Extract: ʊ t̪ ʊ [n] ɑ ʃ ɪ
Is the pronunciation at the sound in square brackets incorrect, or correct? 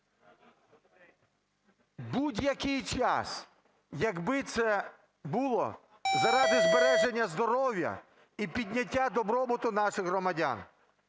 correct